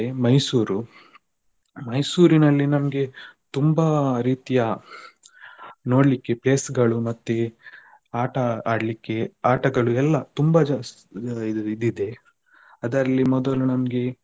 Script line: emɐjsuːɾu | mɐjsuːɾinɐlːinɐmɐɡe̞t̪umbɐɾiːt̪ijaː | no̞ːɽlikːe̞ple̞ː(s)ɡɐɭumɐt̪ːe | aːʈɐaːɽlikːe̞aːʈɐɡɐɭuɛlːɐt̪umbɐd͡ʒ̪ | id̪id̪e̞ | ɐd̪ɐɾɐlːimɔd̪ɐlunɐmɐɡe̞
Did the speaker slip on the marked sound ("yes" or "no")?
no